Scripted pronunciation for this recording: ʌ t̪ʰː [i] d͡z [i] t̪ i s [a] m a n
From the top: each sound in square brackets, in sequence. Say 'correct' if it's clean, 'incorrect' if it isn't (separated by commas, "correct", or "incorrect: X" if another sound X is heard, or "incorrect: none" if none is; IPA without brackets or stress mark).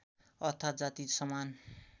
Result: incorrect: a, incorrect: a, incorrect: ʌ